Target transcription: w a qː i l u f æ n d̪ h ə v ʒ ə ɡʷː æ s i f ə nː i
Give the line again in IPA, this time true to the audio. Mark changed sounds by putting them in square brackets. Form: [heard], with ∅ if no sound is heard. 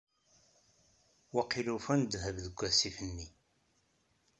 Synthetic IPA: w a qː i l u f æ n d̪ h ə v [ð] ə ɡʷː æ s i f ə nː i